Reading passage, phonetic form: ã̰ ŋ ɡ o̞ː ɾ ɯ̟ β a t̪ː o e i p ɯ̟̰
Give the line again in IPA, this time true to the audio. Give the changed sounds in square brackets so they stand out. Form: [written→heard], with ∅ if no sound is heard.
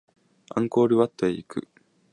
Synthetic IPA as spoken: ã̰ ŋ [ɡ→k] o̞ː ɾ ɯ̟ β a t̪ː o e i [p→k] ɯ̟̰